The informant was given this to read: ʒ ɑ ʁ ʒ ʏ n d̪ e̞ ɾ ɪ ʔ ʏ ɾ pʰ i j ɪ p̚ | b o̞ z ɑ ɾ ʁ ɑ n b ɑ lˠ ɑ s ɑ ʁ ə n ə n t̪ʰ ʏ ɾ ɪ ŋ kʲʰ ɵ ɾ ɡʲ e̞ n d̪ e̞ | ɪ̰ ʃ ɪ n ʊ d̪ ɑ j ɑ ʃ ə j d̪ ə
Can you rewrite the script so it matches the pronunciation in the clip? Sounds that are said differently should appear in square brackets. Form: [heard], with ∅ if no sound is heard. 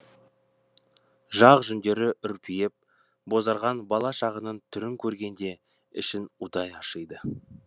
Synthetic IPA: ʒ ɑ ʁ ʒ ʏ n d̪ e̞ ɾ ɪ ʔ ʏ ɾ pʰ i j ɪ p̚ | b o̞ z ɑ ɾ ʁ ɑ n b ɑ lˠ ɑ [ʃ] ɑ ʁ ə n ə n t̪ʰ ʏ ɾ ɪ ŋ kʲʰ ɵ ɾ ɡʲ e̞ n d̪ e̞ | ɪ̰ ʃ ɪ n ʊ d̪ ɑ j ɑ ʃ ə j d̪ ə

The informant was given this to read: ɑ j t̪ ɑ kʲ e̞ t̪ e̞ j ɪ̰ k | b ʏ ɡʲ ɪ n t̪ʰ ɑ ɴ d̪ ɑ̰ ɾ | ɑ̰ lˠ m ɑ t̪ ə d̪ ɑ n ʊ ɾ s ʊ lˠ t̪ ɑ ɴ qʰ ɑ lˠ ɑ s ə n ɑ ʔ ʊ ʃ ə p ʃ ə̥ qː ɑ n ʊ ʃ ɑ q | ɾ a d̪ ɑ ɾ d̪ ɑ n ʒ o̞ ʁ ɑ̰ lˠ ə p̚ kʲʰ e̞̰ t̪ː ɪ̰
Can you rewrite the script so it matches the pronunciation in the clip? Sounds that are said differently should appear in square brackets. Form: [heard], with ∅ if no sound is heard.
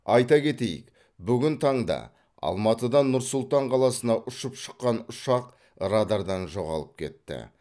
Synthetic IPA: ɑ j t̪ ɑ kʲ e̞ t̪ e̞ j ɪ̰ k | b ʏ ɡʲ ɪ n t̪ʰ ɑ ɴ d̪ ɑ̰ [∅] | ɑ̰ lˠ m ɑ t̪ ə d̪ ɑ n ʊ ɾ s ʊ lˠ t̪ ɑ ɴ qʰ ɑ lˠ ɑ s ə n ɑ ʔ ʊ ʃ ə p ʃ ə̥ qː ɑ n ʊ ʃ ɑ q | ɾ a d̪ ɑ ɾ d̪ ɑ n ʒ o̞ ʁ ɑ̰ lˠ ə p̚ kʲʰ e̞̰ t̪ː ɪ̰

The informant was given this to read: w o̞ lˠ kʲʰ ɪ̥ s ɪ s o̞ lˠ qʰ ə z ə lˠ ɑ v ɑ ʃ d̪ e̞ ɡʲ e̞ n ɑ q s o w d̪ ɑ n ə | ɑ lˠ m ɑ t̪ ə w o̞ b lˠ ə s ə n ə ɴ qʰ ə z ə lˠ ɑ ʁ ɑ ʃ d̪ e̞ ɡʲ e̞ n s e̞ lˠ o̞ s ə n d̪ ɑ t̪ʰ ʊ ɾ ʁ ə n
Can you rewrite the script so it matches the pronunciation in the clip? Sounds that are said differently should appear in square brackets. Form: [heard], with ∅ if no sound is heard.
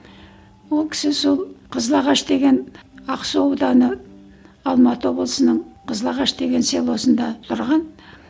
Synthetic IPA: w o̞ lˠ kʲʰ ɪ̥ s ɪ s o̞ lˠ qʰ ə z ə lˠ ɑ [ʁ] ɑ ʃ d̪ e̞ ɡʲ e̞ n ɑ q s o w d̪ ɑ n ə | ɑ lˠ m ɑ t̪ ə w o̞ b lˠ ə s ə n ə ɴ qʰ ə z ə lˠ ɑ ʁ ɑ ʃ d̪ e̞ ɡʲ e̞ n s e̞ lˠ o̞ s ə n d̪ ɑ t̪ʰ ʊ ɾ ʁ [ɑ] n

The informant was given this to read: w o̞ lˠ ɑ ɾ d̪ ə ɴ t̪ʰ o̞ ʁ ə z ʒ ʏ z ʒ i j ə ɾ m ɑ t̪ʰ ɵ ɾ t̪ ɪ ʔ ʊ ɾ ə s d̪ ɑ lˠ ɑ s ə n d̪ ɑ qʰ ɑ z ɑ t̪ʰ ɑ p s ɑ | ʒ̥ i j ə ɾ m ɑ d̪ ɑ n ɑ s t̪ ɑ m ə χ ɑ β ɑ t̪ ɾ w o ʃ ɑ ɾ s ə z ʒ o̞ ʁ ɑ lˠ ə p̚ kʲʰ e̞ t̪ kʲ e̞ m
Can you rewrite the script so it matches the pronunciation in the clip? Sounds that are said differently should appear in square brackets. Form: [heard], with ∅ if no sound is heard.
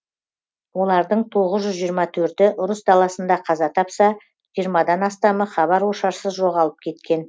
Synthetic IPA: w o̞ lˠ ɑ ɾ d̪ ə ɴ t̪ʰ o̞ ʁ ə z ʒ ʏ z ʒ i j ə ɾ m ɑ t̪ʰ ɵ ɾ t̪ ɪ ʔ ʊ ɾ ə s d̪ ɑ lˠ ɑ s ə n d̪ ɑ qʰ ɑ z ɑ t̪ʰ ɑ p s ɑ | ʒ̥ i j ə ɾ m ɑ d̪ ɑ n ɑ s t̪ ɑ m ə χ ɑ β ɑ [∅] ɾ w o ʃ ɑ ɾ s ə z ʒ o̞ ʁ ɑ lˠ ə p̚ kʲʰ e̞ t̪ kʲ e̞ [n]

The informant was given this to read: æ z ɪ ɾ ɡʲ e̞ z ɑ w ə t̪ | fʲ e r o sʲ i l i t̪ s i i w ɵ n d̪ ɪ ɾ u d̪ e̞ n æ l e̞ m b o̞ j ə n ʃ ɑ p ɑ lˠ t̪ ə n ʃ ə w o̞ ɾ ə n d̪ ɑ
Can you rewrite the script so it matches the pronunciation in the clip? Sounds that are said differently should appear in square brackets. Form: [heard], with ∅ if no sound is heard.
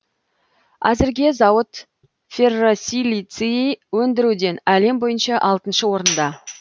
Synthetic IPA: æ z ɪ ɾ ɡʲ e̞ z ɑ w ə t̪ | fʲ e r o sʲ i l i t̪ s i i w ɵ n d̪ ɪ ɾ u d̪ e̞ n æ l e̞ m b o̞ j ə n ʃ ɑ [ʔ] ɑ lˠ t̪ ə n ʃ ə w o̞ ɾ ə n d̪ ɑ

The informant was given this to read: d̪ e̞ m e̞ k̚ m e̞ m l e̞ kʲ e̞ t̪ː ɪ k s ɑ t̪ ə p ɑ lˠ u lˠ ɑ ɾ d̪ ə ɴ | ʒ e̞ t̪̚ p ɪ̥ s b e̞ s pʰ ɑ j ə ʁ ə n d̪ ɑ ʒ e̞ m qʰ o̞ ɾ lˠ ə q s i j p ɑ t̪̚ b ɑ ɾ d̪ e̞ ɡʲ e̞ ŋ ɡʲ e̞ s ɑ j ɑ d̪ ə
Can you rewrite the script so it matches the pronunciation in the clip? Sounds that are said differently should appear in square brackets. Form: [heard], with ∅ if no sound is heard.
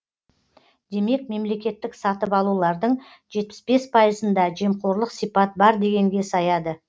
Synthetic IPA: d̪ e̞ m e̞ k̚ m e̞ m l e̞ kʲ e̞ t̪ː ɪ k s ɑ t̪ ə p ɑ lˠ u lˠ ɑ ɾ d̪ ə ɴ | ʒ e̞ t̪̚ p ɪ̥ s b e̞ s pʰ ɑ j ə [z] ə n d̪ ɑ ʒ e̞ m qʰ o̞ ɾ lˠ ə q s i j p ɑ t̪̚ b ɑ ɾ d̪ e̞ ɡʲ e̞ ŋ ɡʲ e̞ s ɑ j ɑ d̪ ə

